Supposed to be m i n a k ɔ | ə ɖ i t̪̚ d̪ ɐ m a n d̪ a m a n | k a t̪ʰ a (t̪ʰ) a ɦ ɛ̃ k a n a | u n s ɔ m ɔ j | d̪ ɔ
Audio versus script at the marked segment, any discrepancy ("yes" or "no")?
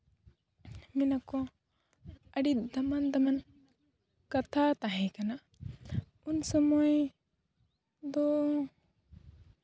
yes